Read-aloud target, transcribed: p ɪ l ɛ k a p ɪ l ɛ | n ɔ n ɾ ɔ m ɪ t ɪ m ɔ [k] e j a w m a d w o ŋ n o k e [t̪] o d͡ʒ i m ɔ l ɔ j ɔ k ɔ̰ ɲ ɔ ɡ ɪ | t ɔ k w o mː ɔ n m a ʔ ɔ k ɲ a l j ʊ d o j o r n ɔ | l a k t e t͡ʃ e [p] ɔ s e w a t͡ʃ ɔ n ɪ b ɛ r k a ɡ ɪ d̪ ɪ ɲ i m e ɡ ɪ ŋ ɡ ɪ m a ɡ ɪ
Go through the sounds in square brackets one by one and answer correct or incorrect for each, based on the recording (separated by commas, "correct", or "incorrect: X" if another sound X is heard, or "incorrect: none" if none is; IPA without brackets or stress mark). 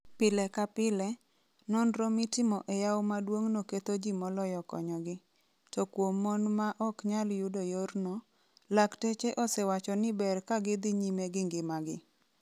incorrect: ʔ, correct, incorrect: ʔ